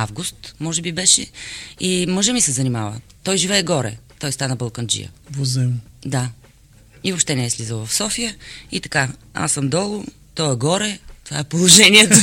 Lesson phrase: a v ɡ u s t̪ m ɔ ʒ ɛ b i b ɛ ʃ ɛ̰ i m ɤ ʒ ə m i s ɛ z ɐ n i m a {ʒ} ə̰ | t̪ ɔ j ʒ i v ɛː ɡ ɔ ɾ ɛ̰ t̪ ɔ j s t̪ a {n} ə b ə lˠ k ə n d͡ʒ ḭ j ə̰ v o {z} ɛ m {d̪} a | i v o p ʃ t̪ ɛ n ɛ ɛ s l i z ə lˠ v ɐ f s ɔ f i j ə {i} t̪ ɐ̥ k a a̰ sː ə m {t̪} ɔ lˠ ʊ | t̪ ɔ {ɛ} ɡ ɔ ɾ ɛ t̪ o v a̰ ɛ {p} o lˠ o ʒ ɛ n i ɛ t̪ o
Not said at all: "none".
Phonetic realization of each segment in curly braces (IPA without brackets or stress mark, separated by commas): v, n, z, d̪, i, d̪, ɛ, p